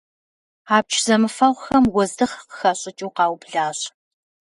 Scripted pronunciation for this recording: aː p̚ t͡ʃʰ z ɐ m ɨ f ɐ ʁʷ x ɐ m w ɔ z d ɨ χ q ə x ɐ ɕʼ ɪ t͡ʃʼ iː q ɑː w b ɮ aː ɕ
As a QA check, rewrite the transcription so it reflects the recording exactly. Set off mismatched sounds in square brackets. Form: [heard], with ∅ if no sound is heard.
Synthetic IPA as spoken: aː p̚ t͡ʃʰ z ɐ m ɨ f ɐ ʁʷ x ɐ m w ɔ z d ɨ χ q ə x ɐ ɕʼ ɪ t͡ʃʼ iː q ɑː w b ɮ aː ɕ